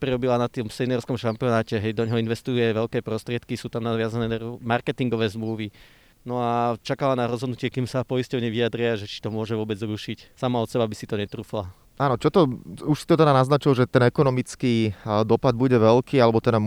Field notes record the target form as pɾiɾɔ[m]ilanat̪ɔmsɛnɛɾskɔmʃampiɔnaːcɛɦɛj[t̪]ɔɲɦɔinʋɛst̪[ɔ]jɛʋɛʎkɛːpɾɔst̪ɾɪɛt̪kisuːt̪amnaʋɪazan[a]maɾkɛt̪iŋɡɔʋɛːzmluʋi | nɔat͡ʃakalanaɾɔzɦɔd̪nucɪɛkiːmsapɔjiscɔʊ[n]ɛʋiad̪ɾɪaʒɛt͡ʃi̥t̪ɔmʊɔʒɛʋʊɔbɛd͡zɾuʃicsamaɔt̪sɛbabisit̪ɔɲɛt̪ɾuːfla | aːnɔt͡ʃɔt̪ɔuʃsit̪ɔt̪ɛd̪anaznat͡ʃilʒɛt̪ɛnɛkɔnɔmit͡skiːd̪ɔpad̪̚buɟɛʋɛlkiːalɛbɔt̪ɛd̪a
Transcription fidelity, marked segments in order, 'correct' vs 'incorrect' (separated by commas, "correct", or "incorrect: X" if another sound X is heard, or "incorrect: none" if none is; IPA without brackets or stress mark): incorrect: b, incorrect: d̪, incorrect: u, incorrect: ɛ, incorrect: ɲ